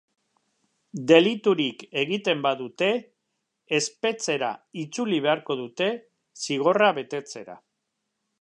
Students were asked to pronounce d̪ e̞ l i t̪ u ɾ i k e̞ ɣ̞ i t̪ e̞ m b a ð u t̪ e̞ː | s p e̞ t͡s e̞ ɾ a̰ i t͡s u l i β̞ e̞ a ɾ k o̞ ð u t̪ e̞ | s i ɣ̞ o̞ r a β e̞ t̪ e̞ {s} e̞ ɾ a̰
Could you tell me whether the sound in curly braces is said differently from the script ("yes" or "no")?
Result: yes